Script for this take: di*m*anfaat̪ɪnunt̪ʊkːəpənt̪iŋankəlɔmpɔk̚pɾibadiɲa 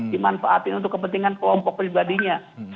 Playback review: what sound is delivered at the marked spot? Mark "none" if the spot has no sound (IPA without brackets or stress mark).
m